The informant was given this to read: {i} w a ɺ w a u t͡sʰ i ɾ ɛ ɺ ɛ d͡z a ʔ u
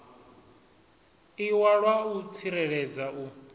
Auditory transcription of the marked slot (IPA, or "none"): i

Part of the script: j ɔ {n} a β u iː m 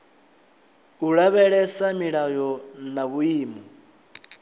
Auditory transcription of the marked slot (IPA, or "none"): n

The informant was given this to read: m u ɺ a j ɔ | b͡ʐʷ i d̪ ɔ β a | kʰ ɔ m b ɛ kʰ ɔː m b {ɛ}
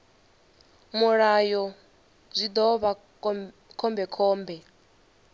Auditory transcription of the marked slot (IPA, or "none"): ɛ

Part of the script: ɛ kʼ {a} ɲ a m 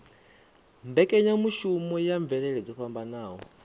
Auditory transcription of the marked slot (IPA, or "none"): ɛ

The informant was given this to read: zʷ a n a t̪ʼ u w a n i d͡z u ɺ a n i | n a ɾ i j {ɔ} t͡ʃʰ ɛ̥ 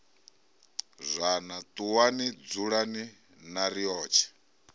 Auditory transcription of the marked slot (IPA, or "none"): ɔː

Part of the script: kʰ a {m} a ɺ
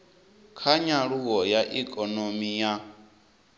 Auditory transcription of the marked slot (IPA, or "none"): ɲ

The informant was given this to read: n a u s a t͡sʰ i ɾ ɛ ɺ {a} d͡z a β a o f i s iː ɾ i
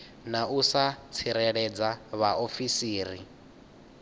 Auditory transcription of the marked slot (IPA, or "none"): ɛ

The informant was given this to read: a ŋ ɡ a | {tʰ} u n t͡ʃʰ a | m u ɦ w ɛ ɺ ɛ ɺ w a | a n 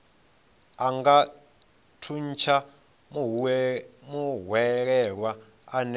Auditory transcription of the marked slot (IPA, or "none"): tʰ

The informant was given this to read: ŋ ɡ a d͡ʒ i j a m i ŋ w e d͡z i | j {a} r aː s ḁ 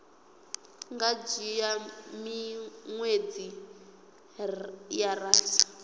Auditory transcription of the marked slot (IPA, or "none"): a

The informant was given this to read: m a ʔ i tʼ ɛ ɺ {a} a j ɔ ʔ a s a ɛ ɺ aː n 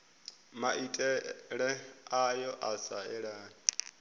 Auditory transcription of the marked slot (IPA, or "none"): ɛ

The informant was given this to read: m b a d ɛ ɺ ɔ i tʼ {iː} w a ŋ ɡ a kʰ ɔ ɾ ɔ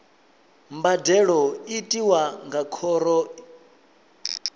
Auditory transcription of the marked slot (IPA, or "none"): i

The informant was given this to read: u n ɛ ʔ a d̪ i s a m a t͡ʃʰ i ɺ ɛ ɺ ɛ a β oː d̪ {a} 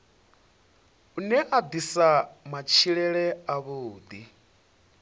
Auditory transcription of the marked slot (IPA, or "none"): i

